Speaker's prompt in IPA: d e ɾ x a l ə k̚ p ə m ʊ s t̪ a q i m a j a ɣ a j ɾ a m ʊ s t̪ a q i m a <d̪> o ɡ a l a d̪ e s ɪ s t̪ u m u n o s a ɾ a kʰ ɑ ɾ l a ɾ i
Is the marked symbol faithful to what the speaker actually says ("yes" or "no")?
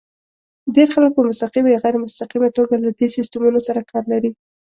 no